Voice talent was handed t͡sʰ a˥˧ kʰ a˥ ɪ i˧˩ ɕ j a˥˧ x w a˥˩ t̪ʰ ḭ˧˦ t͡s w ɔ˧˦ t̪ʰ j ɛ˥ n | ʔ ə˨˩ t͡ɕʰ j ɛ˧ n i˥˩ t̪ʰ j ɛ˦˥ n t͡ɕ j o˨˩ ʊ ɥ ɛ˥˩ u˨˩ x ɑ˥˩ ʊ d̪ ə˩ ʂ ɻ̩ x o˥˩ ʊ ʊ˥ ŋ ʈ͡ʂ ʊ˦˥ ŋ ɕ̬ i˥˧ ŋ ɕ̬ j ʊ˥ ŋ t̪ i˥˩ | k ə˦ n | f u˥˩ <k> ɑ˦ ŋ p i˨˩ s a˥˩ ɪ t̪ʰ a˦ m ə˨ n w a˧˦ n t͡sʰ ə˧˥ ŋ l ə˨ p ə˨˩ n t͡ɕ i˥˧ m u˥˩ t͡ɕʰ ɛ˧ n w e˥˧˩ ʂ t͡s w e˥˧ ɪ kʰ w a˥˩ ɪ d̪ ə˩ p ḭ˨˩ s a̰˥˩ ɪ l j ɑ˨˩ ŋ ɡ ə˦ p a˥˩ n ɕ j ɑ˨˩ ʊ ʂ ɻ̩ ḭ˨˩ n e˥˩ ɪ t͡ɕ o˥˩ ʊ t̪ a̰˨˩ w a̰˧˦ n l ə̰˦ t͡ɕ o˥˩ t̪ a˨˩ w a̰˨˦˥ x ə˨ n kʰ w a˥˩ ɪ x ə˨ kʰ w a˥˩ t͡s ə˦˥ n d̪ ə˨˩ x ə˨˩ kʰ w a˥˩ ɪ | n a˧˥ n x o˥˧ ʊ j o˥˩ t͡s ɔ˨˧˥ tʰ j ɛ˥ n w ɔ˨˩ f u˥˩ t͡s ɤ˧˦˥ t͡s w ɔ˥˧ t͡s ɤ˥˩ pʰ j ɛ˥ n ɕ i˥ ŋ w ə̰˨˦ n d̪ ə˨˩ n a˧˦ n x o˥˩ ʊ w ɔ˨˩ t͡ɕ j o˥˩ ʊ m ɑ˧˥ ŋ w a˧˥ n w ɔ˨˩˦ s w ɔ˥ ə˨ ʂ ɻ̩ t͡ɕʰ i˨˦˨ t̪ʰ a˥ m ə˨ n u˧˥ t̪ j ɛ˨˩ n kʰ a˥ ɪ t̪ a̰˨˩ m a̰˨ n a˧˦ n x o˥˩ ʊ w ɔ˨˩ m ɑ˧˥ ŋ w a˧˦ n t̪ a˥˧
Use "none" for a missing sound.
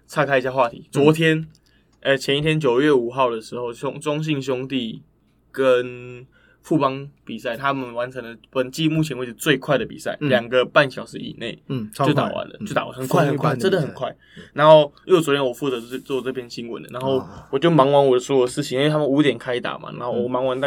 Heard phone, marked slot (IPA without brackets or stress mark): p